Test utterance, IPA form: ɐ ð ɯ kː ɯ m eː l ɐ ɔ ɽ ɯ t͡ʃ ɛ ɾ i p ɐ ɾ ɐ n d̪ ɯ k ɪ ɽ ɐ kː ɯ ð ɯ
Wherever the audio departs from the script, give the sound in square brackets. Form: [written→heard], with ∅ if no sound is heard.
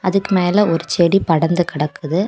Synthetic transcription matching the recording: ɐ ð ɯ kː ɯ m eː l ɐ ɔ [ɽ→ɾ] ɯ t͡ʃ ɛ [ɾ→ɽ] i p ɐ [ɾ→ɽ] ɐ n d̪ ɯ k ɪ ɽ ɐ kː ɯ ð ɯ